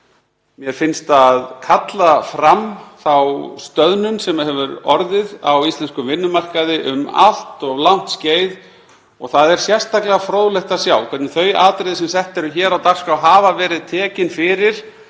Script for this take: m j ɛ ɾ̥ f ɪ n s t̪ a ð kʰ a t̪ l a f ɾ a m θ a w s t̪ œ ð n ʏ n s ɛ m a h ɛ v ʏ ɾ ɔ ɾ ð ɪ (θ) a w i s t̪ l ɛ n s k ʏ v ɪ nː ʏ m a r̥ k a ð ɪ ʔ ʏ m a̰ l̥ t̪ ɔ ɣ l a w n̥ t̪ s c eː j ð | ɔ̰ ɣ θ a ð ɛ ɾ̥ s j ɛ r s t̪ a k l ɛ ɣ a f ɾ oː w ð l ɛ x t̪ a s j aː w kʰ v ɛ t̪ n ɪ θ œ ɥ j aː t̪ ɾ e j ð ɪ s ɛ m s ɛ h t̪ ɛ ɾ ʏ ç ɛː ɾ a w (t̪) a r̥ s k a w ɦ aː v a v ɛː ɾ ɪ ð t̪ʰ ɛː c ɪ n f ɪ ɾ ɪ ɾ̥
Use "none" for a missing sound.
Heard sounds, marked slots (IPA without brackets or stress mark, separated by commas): ð, t̪